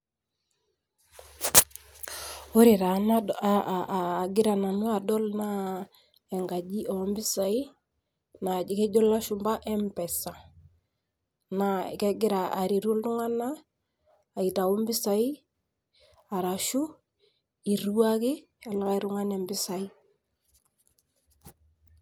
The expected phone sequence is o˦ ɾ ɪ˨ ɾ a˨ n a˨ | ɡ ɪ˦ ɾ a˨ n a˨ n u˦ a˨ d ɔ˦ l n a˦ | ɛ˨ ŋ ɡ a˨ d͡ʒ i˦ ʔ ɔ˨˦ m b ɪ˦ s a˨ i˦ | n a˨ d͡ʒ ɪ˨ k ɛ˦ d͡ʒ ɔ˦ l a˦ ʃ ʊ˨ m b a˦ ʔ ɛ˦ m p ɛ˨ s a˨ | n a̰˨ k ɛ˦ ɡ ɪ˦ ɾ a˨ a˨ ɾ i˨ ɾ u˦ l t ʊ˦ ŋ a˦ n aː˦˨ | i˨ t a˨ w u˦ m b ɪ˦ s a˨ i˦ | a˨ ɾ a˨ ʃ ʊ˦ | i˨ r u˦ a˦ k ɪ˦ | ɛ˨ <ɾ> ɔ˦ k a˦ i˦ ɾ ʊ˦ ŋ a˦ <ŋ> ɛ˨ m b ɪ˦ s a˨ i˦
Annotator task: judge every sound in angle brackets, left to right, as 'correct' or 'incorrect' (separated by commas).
incorrect, incorrect